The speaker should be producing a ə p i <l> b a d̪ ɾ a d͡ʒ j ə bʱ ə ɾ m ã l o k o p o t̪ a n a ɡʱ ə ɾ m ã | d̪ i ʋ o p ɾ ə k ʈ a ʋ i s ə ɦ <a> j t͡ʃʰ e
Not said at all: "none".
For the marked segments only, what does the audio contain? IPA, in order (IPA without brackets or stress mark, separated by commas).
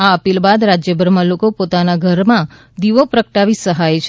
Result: l, a